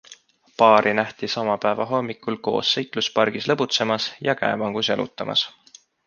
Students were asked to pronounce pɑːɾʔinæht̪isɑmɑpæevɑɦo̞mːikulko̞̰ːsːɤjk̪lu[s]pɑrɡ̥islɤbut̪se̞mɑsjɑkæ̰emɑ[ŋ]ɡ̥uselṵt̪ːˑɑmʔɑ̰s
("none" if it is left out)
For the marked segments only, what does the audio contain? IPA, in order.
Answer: s, ŋ

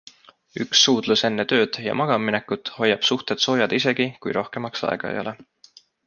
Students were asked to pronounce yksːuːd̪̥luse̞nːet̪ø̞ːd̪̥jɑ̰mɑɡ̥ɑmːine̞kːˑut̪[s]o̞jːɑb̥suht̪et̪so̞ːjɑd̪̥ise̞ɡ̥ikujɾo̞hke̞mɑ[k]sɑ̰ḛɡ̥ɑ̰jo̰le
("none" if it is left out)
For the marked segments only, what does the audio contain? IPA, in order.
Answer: h, k

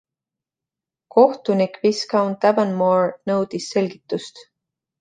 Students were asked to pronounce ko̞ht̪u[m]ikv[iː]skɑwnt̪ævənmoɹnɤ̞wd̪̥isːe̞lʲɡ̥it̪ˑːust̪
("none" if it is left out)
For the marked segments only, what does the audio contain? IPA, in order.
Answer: n, i

